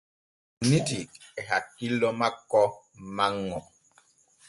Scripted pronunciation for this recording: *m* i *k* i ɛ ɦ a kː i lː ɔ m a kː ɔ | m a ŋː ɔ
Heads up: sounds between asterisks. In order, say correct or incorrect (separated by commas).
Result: incorrect, incorrect